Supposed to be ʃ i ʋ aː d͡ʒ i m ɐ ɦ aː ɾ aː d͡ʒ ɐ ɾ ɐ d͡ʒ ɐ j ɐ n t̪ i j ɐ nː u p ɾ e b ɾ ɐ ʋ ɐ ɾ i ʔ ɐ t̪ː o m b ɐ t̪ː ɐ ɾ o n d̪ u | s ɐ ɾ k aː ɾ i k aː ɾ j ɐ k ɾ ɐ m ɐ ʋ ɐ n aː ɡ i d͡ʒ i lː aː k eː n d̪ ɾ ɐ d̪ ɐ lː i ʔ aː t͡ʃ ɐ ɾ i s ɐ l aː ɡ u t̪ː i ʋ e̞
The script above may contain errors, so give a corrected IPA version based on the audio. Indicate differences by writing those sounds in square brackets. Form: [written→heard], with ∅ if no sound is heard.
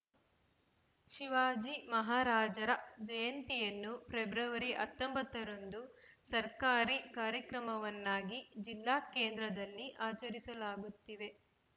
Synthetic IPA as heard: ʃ i ʋ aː d͡ʒ i m ɐ ɦ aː ɾ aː d͡ʒ ɐ ɾ ɐ d͡ʒ ɐ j ɐ n t̪ i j ɐ nː u p ɾ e b ɾ ɐ ʋ ɐ ɾ i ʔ ɐ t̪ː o m b ɐ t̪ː ɐ ɾ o n d̪ u | s ɐ ɾ k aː ɾ i k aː ɾ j ɐ k ɾ ɐ m ɐ ʋ ɐ [n→nː] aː ɡ i d͡ʒ i lː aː k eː n d̪ ɾ ɐ d̪ ɐ lː i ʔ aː t͡ʃ ɐ ɾ i s ɐ l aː ɡ u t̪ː i ʋ e̞